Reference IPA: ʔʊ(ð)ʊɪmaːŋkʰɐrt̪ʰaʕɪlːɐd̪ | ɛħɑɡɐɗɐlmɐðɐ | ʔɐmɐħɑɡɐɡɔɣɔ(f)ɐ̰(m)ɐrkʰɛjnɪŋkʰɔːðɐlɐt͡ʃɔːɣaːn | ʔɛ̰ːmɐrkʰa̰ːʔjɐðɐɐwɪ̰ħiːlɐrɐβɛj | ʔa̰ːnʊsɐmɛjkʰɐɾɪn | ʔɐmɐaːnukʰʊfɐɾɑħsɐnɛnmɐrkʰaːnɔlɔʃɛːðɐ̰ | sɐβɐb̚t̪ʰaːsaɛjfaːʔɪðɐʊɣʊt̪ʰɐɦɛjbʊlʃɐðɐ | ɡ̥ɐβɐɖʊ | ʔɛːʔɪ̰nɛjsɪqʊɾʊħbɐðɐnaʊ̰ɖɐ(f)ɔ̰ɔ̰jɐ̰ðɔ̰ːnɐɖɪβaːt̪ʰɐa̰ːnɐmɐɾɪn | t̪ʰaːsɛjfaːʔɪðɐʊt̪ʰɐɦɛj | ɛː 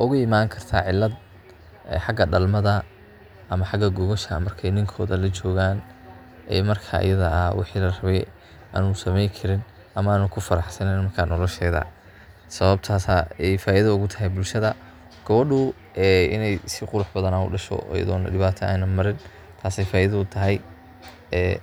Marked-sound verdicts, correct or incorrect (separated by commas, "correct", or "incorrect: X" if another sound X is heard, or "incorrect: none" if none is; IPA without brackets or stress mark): incorrect: ɣ, incorrect: ʃ, correct, incorrect: ʃ